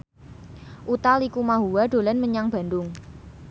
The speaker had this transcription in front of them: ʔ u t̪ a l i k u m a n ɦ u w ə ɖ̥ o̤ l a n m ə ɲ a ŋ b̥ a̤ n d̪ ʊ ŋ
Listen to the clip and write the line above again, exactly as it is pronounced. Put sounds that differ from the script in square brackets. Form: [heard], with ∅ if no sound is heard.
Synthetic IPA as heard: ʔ u t̪ a l i k u m a [∅] ɦ u w [a] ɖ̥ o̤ l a n m ə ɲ a ŋ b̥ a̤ n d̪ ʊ ŋ

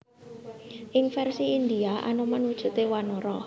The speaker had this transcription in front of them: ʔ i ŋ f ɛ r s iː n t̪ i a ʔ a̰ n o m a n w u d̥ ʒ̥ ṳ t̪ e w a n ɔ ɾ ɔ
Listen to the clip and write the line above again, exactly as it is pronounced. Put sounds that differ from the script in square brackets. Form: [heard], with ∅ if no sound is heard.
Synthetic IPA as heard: ʔ [ɪ] ŋ f ɛ r s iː n [d̪] i a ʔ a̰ n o m a n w u d̥ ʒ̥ ṳ t̪ e w a n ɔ ɾ ɔ

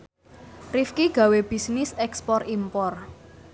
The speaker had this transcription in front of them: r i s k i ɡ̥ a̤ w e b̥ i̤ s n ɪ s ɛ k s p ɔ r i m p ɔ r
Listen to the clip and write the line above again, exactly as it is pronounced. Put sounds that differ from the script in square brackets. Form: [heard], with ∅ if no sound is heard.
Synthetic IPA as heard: r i [f] k i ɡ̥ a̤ w e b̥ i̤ s n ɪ s ɛ k s p ɔ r i m p ɔ r

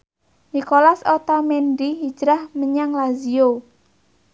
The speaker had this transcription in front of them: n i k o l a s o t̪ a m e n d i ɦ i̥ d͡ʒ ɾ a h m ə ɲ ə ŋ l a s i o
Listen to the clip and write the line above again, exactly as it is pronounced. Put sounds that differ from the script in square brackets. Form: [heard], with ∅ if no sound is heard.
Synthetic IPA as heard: n i k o l a s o t̪ a m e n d i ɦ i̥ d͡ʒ ɾ a h m ə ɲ [a] ŋ l a [z] i o

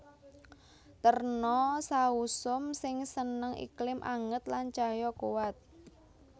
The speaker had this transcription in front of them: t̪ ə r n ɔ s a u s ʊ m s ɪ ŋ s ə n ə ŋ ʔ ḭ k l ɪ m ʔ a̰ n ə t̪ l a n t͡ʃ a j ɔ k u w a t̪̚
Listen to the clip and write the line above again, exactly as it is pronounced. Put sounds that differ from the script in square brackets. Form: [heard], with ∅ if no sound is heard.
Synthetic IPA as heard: t̪ ə r n ɔ s a u s ʊ m s ɪ ŋ s ə n ə ŋ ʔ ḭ k l ɪ m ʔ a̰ [ŋ] ə t̪ l a n t͡ʃ a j ɔ k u w a t̪̚

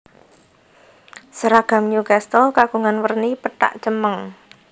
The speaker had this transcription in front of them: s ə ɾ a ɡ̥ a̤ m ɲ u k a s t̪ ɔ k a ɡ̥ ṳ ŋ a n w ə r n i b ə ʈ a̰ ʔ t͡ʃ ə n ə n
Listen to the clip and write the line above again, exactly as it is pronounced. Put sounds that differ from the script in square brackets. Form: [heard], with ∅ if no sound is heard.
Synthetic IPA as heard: s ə ɾ a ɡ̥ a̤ m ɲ u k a s t̪ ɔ k a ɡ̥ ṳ ŋ a n w ə r n i [p] ə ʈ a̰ ʔ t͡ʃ ə [m] ə [ŋ]

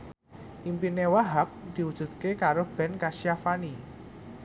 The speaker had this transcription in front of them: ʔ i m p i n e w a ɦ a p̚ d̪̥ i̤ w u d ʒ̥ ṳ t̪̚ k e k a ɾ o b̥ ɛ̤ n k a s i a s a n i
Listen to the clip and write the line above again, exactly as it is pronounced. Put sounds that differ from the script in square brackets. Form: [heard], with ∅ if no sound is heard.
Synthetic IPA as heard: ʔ i m p i n e w a ɦ a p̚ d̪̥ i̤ w u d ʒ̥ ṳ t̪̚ k e k a ɾ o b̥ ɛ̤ n k a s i a [f] a n i

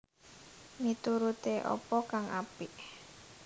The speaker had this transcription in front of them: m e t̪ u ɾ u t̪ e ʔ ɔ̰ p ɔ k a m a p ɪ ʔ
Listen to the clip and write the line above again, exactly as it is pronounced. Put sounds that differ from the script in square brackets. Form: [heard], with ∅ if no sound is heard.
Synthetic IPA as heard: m [i] t̪ u ɾ u t̪ e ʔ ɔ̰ p ɔ k a [ŋ] a p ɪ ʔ

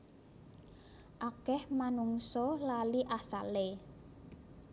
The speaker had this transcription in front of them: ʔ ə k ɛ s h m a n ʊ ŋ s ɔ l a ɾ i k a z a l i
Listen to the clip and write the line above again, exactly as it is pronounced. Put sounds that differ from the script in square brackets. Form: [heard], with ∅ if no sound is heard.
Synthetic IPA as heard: ʔ [a] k ɛ [∅] h m a n [u] ŋ s ɔ l a [l] i [ʔ] a [s] a l [e]

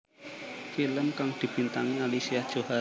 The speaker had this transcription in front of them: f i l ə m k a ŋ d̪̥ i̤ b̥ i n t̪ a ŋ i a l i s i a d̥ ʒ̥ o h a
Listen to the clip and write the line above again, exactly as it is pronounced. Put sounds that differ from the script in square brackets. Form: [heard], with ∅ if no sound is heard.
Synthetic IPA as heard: f i l ə m k a ŋ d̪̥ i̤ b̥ i n t̪ a ŋ i a l i s i a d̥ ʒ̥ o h a

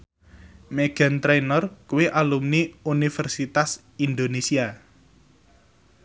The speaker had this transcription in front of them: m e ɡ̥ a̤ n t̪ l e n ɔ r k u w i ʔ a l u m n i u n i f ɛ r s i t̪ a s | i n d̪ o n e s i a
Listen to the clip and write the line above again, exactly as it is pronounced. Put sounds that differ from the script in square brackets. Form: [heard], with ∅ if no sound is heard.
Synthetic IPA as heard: m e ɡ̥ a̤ n t̪ [ɾ] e n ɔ r k u w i ʔ a l u m n i u n i f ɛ r s i t̪ a s | i n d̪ o n e s i a

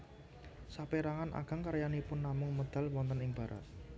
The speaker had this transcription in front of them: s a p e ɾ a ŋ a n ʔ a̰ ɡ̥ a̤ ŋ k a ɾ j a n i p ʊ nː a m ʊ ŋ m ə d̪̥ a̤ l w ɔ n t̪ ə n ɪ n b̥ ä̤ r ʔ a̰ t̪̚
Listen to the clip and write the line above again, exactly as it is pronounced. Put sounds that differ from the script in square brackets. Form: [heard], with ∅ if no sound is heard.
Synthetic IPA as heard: s a p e ɾ a ŋ a n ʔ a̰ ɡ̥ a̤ ŋ k a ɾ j a n i p ʊ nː a m ʊ ŋ m ə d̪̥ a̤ l w ɔ n t̪ ə n ɪ [ŋ] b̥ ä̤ [ɾ] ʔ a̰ t̪̚

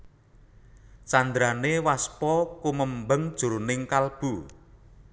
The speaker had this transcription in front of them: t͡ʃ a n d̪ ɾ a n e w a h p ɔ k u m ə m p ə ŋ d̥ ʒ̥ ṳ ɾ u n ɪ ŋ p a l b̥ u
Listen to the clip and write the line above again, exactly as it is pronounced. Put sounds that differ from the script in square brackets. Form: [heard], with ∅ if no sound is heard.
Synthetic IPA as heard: t͡ʃ a n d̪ ɾ a n e w a [s] p ɔ k u m ə m [b] ə ŋ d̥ ʒ̥ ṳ ɾ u n ɪ ŋ [k] a l b̥ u

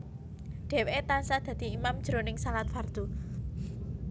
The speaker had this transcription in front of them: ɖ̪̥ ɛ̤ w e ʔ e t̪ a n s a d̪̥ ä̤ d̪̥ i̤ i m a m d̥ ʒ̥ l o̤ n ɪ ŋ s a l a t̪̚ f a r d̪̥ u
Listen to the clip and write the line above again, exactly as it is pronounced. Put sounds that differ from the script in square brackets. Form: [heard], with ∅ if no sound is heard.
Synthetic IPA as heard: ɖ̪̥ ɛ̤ w e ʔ e t̪ a n s a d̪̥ ä̤ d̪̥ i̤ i m a m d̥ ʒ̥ [ɾ] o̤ n ɪ ŋ s a l a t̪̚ f a r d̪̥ u

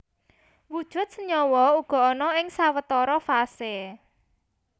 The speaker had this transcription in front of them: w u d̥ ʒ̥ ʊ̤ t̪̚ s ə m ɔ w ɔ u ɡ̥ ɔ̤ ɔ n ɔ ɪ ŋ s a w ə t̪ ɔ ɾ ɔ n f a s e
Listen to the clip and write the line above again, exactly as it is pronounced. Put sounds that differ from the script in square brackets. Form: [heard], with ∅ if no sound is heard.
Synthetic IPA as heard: w u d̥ ʒ̥ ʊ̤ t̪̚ s ə [ɲ] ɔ w ɔ u ɡ̥ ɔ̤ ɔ n ɔ ɪ ŋ s a w ə t̪ ɔ ɾ ɔ [∅] f a s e

